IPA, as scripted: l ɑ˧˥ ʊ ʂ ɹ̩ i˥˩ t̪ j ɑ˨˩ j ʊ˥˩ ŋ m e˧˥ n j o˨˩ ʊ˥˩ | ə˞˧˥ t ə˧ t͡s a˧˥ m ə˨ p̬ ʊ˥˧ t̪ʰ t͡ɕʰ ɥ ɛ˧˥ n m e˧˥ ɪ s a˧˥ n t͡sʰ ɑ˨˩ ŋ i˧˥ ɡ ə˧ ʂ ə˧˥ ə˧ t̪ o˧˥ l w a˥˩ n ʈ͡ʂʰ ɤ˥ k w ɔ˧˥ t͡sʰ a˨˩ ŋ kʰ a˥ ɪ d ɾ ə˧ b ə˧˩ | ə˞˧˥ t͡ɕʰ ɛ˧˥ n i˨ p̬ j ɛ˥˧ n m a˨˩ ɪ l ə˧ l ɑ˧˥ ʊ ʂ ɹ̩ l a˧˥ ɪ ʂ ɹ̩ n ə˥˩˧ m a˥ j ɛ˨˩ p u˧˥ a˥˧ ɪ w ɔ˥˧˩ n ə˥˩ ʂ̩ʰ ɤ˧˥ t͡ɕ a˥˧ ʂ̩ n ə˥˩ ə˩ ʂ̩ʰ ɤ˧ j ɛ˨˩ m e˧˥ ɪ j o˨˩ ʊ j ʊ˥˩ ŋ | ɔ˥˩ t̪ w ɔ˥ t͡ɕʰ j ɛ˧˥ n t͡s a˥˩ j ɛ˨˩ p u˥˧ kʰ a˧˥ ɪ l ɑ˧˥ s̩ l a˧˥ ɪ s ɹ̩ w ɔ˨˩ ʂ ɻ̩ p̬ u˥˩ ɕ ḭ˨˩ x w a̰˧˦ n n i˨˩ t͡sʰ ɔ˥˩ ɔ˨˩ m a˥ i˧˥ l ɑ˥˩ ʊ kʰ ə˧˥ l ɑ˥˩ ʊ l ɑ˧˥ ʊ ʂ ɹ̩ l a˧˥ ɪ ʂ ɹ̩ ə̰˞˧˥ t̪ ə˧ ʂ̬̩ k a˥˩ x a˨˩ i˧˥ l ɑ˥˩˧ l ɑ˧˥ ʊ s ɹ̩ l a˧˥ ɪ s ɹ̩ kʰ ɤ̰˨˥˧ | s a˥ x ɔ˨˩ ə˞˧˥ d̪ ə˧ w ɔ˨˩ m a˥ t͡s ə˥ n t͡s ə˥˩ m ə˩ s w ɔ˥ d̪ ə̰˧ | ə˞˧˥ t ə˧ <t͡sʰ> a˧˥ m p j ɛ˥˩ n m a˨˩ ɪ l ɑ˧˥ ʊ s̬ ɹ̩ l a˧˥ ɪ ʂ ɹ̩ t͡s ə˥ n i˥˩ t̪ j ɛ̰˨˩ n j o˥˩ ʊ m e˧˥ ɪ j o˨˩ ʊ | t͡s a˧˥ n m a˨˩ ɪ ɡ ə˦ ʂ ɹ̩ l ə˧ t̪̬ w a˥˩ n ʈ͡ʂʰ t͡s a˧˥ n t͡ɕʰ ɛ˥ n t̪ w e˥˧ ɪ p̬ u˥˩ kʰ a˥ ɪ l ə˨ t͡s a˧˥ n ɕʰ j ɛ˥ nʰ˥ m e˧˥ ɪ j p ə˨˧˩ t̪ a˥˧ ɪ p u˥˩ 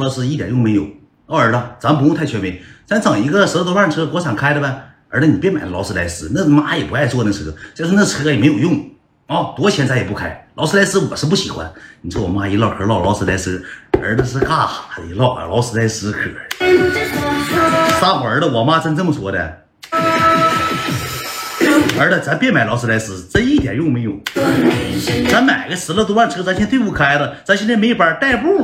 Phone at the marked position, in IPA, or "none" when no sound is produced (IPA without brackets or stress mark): t͡s